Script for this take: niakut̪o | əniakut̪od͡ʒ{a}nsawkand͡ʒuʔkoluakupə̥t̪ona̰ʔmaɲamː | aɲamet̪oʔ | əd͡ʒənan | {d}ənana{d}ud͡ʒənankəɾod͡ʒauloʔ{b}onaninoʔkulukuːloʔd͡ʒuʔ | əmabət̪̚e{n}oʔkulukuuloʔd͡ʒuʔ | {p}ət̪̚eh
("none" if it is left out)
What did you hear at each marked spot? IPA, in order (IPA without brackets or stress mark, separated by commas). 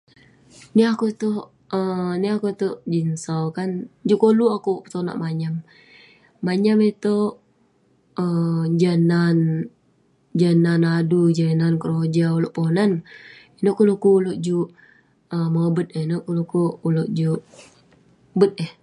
i, d͡ʒ, d, p, n, b